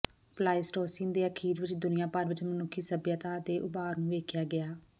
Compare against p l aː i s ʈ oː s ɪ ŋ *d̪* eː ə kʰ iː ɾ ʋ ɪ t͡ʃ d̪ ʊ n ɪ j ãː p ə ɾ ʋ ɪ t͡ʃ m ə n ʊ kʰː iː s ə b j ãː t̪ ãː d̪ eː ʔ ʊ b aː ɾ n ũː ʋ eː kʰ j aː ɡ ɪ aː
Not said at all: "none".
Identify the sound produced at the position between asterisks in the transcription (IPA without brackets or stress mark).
d̪